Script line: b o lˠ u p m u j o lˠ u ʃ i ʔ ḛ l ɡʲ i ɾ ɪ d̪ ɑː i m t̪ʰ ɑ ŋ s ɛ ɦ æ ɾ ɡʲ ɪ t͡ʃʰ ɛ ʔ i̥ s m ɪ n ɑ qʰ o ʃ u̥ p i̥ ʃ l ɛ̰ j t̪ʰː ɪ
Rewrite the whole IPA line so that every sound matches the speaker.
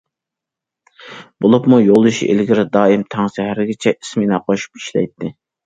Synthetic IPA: b o lˠ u p m u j o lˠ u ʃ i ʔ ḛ l ɡʲ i ɾ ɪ d̪ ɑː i m t̪ʰ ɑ ŋ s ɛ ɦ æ ɾ ɡʲ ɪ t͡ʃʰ ɛ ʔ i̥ s m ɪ n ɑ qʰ o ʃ u̥ p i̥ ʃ l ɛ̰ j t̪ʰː ɪ